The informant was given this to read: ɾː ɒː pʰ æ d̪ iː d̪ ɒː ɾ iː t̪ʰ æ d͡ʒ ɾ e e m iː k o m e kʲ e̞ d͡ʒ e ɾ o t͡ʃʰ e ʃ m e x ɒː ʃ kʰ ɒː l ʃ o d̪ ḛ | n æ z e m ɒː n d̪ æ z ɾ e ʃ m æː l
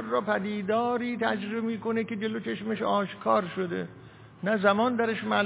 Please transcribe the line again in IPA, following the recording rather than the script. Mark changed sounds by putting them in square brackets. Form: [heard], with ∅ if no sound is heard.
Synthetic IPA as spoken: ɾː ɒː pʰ æ d̪ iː d̪ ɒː ɾ iː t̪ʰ æ d͡ʒ ɾ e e m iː k o [n] e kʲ e̞ d͡ʒ e [l] o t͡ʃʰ e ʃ m e [ʃ] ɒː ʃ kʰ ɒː [ɾ] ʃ o d̪ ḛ | n æ z [æ] m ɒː n d̪ æ [∅] ɾ e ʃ m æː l